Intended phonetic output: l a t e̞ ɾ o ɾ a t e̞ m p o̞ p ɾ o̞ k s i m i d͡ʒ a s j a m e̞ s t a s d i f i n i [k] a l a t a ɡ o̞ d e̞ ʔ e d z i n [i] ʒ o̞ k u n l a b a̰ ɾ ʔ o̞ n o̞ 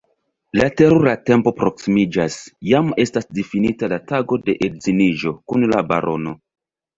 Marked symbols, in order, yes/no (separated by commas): no, yes